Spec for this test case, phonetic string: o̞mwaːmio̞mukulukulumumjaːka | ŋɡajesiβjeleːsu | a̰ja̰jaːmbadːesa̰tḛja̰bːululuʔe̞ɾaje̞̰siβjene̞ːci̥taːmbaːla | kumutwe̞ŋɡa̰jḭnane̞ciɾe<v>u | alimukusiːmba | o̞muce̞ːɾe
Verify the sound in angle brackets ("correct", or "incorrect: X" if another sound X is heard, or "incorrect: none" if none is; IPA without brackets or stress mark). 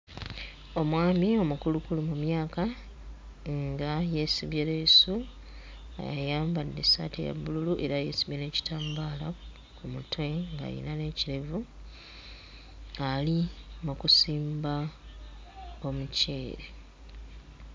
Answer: correct